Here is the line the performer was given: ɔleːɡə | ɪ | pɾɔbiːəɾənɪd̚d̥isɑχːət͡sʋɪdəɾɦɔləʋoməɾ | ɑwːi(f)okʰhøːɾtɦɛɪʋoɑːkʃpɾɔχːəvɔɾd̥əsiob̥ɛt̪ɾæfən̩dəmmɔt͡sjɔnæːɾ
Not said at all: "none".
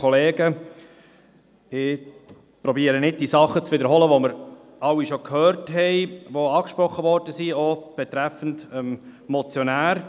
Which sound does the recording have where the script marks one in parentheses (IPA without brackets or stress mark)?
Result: ʃ